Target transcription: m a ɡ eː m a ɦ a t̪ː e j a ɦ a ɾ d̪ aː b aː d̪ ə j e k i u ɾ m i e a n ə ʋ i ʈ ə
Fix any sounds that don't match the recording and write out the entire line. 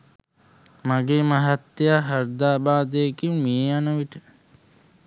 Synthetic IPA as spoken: m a ɡ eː m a ɦ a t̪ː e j a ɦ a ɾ d̪ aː b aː d̪ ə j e k i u m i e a n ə ʋ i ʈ ə